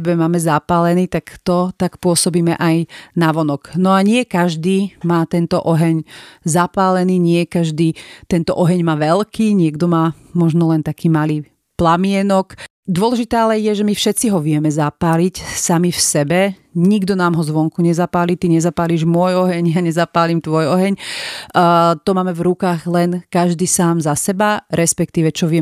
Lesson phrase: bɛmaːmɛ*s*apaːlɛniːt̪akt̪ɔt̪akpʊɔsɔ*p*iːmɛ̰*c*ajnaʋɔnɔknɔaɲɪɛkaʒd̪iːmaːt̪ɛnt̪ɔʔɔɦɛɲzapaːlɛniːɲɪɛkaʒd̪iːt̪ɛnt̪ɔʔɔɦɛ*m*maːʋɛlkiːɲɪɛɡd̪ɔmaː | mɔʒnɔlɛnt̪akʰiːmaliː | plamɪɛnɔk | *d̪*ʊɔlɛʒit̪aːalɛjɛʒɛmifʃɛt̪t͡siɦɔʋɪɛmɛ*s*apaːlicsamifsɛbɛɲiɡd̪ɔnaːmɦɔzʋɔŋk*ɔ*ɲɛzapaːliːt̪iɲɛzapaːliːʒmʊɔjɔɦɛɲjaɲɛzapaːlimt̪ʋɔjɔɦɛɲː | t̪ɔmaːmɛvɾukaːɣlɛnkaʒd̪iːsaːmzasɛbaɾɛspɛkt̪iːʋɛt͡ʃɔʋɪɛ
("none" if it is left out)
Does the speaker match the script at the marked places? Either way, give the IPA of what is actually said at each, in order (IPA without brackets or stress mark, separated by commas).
z, b, ʔ, ɲ, d̪, z, u